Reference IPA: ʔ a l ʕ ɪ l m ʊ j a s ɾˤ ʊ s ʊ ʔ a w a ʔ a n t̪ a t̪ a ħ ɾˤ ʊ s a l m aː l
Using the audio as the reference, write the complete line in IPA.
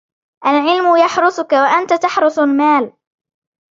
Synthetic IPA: ʔ a l ʕ ɪ l m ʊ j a ħ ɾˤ ʊ s ʊ k a w a ʔ a n t̪ a t̪ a ħ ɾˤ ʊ s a l m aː l